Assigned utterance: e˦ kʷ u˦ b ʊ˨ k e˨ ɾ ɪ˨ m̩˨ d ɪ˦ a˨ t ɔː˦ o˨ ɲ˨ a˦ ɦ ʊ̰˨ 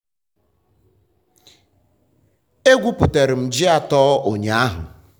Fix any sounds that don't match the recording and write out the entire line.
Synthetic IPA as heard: e˦ ɡʷ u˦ p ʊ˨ t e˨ ɾ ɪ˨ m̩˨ d͡ʒ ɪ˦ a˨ t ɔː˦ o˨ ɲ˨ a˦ ɦ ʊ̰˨